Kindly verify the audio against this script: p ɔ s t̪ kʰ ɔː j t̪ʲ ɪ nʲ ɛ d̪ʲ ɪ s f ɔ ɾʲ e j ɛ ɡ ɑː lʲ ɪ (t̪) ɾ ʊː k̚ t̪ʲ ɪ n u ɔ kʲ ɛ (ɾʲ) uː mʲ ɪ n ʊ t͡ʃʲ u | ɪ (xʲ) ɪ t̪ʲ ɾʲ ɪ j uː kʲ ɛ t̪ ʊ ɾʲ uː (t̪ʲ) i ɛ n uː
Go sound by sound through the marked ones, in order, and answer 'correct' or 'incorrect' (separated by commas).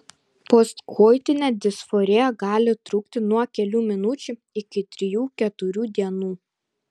correct, incorrect, incorrect, incorrect